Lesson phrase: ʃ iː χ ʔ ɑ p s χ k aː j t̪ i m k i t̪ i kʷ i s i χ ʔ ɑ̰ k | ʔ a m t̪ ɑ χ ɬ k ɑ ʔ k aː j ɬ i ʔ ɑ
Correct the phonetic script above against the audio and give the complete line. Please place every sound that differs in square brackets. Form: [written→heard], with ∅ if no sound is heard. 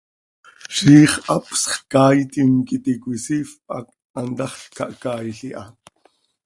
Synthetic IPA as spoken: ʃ iː χ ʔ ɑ p s χ k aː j t̪ i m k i t̪ i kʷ i s i [χ→f] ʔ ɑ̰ k | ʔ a [m→n] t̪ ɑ χ ɬ k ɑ ʔ k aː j ɬ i ʔ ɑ